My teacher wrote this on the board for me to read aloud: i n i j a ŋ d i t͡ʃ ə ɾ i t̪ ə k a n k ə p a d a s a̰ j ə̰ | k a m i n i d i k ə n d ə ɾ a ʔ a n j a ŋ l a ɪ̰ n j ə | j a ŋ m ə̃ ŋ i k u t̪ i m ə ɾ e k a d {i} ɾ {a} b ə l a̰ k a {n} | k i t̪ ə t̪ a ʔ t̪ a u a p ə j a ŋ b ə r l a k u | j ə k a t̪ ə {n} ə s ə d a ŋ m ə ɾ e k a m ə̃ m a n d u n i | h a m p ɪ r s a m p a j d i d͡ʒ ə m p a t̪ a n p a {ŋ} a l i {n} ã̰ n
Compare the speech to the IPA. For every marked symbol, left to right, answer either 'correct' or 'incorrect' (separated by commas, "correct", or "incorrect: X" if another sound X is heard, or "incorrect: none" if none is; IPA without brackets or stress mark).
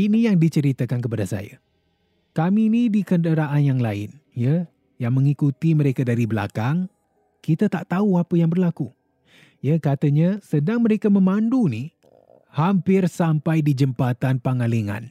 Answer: incorrect: a, incorrect: i, incorrect: ŋ, incorrect: ɲ, correct, incorrect: ŋ